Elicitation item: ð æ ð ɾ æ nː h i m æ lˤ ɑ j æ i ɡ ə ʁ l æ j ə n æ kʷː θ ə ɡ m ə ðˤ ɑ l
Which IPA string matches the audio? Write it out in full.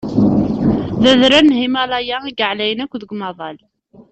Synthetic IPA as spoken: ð æ ð ɾ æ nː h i m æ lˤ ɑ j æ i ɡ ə ʕ l æ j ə n æ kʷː ð ə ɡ m ɑ ðˤ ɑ l